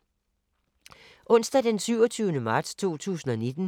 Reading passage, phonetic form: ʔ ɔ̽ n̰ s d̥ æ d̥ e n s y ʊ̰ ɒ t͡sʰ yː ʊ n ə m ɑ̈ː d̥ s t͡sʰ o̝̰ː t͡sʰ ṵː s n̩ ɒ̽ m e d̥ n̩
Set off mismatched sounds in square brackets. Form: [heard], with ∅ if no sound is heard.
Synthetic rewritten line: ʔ ɔ̽ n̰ s d̥ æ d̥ e n s y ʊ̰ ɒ t͡sʰ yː ʊ n ə m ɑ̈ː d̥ s t͡sʰ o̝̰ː t͡sʰ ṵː s n̩ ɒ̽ [n] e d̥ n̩